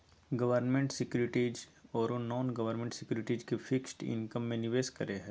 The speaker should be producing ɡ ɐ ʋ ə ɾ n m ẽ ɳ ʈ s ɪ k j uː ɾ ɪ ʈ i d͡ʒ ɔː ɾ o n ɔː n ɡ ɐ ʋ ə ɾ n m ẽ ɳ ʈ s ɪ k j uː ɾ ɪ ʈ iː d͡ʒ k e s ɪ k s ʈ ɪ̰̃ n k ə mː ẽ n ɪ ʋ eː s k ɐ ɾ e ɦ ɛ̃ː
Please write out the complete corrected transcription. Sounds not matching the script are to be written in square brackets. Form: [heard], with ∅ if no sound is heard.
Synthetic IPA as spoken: ɡ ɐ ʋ ə ɾ n m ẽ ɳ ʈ s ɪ k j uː ɾ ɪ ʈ i d͡ʒ ɔː ɾ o n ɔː n ɡ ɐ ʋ ə ɾ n m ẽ ɳ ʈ s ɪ k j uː ɾ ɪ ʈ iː d͡ʒ k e [f] ɪ k s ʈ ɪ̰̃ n k ə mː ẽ n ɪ ʋ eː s k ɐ ɾ e ɦ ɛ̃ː